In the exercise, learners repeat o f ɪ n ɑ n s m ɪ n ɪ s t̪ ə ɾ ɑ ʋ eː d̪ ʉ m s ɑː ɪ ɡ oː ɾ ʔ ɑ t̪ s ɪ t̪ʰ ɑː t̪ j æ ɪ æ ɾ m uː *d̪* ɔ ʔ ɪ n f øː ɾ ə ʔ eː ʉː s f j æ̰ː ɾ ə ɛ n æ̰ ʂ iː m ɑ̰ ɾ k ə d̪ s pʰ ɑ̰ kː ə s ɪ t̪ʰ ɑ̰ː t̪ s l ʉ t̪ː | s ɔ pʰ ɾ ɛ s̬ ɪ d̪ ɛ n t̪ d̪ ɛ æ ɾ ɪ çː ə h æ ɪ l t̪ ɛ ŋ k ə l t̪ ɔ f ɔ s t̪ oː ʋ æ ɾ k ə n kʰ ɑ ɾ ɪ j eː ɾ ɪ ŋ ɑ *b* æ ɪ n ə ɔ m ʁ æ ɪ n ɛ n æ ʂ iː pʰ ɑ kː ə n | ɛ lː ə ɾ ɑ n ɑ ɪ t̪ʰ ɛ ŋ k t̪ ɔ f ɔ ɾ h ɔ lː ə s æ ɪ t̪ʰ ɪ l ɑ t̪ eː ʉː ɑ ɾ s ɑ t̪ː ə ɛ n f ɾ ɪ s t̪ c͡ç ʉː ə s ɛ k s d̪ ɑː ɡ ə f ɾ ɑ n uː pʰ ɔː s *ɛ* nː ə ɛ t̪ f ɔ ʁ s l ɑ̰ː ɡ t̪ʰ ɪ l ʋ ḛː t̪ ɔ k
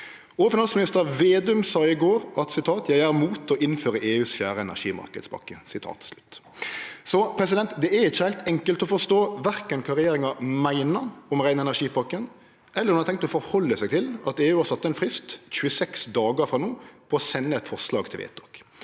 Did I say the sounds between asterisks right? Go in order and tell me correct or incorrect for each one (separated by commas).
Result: incorrect, incorrect, correct